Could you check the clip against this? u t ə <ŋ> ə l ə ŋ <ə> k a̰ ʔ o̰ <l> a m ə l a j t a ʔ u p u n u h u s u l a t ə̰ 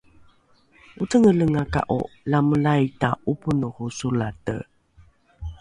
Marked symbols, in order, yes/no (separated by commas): yes, no, yes